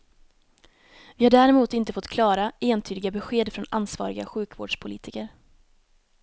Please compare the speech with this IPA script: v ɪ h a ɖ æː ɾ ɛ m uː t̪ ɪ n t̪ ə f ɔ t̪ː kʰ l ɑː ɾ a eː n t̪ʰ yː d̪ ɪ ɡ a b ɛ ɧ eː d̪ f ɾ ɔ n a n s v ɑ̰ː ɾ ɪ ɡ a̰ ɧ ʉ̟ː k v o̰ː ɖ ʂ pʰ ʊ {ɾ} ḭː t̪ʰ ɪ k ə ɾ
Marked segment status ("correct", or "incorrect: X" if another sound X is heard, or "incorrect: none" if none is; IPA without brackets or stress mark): incorrect: l